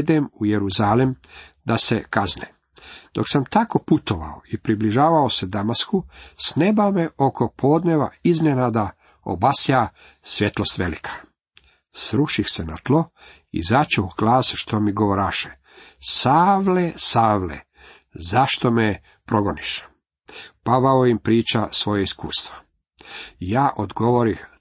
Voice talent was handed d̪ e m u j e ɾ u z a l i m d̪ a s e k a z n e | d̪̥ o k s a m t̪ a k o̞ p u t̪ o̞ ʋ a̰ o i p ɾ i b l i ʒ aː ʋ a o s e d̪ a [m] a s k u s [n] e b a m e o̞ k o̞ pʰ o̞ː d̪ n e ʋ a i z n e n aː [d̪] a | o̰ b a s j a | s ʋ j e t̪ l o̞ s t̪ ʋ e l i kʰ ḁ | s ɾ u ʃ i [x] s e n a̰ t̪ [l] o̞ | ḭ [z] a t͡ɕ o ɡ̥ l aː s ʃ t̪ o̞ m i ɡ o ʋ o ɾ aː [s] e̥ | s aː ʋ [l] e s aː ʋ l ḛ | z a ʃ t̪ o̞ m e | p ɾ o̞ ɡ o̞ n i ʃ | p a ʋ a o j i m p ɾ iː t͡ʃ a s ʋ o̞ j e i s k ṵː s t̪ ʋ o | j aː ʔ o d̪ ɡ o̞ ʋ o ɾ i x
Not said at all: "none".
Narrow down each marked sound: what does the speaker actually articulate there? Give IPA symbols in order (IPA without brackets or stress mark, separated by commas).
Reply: m, n, d̪, x, l, z, ʃ, l